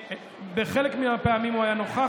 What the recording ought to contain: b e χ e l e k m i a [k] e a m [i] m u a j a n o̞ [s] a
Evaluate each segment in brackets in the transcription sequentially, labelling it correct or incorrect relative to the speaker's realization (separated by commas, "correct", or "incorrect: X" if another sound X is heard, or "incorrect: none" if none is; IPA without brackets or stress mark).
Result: incorrect: p, correct, incorrect: χ